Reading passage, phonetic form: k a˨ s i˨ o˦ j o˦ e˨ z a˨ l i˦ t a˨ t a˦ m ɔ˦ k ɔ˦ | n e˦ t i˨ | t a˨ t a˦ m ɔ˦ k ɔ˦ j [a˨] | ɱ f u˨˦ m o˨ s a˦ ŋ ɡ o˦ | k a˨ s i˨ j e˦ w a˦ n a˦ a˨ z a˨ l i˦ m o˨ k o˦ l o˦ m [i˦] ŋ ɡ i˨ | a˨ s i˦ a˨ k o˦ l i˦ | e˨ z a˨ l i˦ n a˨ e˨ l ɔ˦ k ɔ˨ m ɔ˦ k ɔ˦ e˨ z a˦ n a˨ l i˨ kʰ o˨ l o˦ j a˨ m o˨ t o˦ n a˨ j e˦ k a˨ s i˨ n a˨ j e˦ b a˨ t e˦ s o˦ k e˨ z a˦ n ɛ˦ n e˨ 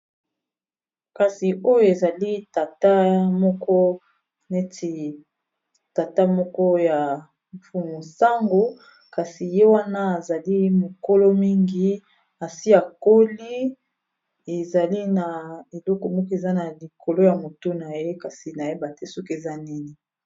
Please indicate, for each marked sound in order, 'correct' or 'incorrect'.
correct, correct

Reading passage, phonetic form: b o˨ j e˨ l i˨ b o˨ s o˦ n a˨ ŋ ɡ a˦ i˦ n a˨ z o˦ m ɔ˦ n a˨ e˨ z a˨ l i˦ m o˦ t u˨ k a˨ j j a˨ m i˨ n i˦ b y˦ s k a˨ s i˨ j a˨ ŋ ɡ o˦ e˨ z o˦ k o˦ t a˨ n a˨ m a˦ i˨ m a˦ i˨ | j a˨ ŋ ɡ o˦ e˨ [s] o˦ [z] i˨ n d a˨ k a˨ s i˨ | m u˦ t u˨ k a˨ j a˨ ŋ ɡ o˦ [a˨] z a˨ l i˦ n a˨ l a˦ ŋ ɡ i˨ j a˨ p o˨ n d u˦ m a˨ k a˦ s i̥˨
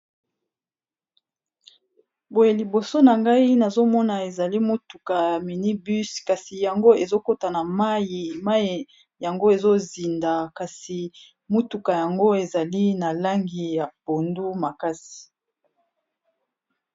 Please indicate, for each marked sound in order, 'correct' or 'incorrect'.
incorrect: z, correct, incorrect: e˨

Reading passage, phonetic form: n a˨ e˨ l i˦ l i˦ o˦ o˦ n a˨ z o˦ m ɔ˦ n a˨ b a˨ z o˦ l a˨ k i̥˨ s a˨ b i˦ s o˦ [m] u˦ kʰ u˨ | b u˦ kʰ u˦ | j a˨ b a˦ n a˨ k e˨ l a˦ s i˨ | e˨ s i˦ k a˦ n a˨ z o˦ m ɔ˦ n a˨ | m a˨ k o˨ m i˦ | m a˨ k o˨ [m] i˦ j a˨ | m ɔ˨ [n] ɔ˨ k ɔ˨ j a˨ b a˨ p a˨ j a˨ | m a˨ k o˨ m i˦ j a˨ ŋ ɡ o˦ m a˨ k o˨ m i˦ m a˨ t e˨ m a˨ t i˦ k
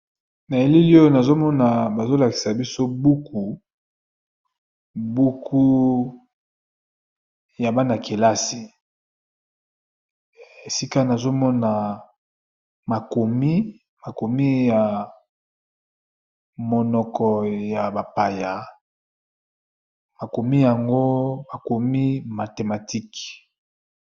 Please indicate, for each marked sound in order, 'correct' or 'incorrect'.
incorrect: b, correct, correct

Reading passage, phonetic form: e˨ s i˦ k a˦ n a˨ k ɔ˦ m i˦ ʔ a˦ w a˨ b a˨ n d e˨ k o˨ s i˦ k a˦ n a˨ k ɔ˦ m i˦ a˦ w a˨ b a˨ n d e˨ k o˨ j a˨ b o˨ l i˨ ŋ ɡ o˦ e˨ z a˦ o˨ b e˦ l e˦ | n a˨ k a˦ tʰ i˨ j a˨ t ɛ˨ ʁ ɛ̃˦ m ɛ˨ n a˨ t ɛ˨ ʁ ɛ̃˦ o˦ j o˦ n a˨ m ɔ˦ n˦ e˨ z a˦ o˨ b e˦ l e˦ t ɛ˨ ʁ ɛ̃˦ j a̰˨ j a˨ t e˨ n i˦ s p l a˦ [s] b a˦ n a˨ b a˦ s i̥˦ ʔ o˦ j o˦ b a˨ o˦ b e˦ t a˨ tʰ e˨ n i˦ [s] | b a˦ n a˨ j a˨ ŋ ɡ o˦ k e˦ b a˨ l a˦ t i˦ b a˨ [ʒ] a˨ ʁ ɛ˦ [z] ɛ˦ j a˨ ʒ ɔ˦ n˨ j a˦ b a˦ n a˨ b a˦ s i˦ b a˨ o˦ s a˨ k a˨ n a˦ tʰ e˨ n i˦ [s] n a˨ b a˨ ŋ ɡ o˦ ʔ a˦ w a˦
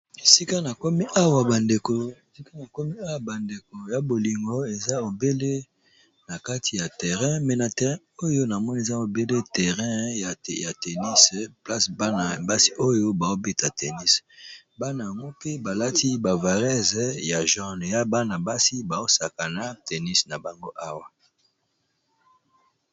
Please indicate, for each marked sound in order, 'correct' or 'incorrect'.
correct, correct, incorrect: v, correct, correct

